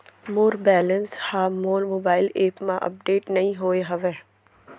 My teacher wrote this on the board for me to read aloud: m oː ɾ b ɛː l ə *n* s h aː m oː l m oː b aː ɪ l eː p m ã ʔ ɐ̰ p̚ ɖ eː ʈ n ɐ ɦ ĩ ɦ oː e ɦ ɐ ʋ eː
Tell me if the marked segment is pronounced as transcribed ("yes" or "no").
yes